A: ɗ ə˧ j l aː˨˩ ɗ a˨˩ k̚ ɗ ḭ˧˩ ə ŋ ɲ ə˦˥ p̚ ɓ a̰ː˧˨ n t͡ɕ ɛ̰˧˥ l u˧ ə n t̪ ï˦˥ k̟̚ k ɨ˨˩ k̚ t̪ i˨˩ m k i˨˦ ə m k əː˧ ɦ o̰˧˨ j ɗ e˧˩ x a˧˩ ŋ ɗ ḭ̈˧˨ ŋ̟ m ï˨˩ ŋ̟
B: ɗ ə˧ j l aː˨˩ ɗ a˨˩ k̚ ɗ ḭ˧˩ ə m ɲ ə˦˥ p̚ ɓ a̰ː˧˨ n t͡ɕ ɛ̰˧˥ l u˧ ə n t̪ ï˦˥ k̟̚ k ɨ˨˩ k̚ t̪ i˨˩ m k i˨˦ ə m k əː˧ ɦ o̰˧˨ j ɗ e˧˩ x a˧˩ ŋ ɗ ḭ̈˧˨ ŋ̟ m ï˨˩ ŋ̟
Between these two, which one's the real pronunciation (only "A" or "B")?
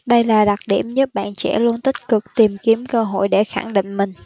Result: B